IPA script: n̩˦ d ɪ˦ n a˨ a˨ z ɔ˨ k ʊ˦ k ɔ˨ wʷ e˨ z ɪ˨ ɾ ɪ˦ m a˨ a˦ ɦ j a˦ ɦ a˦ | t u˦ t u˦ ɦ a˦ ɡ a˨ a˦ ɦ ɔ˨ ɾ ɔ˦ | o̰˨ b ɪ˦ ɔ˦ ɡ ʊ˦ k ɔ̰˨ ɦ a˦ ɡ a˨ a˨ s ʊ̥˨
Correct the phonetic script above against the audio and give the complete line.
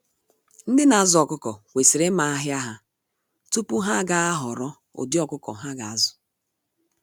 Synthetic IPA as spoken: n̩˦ d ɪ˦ n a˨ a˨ z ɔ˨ k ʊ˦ k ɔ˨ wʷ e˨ s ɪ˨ ɾ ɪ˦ m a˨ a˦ ɦ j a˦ ɦ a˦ | t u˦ p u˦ ɦ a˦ ɡ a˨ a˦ ɦ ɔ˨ ɾ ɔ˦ | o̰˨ d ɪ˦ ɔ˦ k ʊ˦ k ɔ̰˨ ɦ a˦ ɡ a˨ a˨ z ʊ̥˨